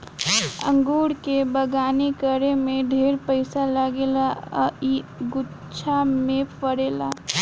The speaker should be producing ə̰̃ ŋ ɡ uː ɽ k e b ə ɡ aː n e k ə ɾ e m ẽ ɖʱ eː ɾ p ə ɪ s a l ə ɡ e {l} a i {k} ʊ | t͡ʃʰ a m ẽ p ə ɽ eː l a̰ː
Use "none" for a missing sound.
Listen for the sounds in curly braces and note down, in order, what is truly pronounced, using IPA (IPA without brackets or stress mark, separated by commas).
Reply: l, ɡ